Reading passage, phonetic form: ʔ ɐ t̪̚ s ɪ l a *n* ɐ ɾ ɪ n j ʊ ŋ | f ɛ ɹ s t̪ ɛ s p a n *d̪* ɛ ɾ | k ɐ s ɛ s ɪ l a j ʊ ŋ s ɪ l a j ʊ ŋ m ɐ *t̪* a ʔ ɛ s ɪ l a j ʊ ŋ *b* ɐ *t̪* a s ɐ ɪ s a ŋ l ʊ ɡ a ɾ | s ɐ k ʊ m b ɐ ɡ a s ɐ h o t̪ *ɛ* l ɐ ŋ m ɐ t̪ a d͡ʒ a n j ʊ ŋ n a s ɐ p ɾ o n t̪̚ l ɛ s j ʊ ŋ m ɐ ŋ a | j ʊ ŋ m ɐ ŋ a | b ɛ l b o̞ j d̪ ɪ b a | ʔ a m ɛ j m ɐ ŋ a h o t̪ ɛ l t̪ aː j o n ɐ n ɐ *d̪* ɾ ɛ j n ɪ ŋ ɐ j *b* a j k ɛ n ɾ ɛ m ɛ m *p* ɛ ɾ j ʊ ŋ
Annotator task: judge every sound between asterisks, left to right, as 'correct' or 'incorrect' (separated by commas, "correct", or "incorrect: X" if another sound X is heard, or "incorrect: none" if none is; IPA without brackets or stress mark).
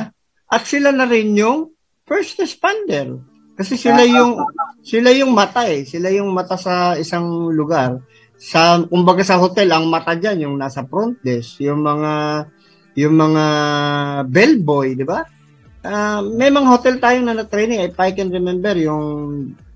correct, correct, correct, incorrect: m, correct, correct, incorrect: t̪, incorrect: p, incorrect: b